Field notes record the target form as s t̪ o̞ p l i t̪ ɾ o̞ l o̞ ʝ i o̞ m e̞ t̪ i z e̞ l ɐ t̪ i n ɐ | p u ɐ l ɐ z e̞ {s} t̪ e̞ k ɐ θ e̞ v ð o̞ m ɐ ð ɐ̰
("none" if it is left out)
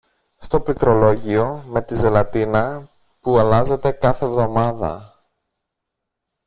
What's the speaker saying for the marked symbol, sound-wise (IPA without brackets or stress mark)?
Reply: none